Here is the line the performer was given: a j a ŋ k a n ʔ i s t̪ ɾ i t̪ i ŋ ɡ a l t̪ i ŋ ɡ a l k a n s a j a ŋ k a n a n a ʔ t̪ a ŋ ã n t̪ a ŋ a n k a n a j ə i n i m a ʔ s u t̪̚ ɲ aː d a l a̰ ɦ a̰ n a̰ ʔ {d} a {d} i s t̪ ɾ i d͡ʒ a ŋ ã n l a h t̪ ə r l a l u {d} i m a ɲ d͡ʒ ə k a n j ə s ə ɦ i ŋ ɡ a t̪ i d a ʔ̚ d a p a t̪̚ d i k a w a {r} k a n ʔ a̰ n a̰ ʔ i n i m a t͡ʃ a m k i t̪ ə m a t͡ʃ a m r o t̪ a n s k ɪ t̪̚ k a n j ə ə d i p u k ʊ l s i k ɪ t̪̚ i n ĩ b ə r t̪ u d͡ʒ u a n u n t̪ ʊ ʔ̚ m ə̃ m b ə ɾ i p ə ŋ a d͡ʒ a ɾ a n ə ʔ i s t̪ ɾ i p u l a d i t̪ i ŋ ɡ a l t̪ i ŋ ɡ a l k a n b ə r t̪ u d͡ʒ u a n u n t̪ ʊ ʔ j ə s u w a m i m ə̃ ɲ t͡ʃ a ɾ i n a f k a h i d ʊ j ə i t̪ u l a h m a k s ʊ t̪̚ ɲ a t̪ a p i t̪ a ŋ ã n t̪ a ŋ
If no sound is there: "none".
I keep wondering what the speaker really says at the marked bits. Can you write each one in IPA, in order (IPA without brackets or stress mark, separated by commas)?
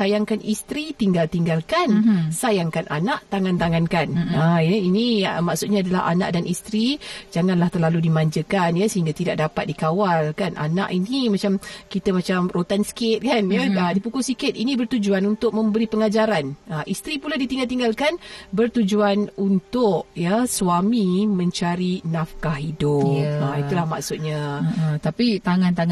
d, n, d, l